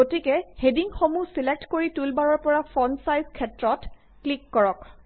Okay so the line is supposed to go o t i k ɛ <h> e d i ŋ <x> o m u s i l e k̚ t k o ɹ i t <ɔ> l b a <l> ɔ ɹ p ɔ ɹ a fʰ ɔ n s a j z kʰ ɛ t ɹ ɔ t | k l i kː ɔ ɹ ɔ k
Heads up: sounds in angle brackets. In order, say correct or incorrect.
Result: correct, correct, incorrect: u, incorrect: ɹ

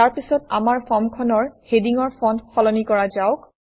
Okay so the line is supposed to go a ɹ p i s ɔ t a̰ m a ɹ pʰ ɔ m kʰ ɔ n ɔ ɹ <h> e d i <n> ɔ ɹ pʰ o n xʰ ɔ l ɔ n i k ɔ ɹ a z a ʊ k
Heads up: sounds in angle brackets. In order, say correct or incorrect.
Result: correct, incorrect: ŋ

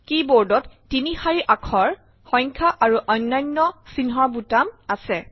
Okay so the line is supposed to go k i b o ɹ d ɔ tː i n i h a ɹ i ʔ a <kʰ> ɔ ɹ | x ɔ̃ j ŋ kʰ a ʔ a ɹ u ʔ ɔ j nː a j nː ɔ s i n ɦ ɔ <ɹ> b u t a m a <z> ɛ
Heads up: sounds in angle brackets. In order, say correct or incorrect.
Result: correct, correct, incorrect: s

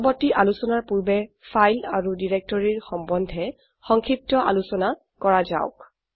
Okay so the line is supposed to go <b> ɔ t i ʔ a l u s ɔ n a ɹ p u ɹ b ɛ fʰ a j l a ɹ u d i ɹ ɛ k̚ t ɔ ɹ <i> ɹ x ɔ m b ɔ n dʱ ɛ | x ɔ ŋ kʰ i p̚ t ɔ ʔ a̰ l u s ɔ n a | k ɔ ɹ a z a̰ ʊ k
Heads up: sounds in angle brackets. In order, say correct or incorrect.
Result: correct, correct

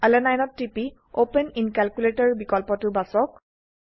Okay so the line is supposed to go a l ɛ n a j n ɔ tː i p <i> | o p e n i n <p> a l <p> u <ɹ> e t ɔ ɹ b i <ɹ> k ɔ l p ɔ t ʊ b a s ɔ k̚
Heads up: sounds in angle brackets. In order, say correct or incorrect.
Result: correct, incorrect: k, incorrect: k, incorrect: l, incorrect: none

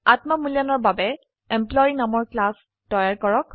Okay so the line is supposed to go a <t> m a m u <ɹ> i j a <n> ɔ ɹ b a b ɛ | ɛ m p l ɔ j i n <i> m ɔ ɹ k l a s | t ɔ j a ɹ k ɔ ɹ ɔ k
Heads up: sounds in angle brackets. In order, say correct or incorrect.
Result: correct, incorrect: l, correct, incorrect: a

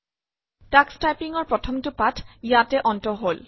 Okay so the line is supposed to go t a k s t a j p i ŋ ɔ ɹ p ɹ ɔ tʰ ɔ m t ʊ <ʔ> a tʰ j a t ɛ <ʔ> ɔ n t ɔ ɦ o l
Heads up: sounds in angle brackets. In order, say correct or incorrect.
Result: incorrect: p, correct

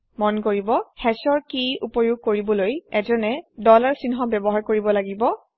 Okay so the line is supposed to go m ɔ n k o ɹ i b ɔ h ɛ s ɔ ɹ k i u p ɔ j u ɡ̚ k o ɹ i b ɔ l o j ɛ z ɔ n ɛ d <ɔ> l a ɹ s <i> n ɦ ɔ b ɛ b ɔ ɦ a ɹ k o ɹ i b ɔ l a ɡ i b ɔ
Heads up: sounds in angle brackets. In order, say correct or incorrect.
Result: correct, correct

